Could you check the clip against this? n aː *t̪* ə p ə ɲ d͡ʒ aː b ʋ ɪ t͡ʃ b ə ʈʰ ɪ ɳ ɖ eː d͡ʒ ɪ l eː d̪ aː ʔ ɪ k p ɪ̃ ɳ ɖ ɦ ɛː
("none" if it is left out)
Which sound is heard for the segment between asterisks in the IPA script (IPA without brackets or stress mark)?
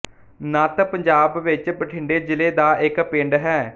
t̪